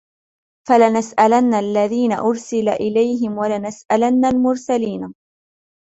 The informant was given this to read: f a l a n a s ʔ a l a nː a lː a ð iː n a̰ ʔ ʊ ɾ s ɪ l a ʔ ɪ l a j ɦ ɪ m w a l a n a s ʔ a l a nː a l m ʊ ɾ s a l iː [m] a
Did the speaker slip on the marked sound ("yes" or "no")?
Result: yes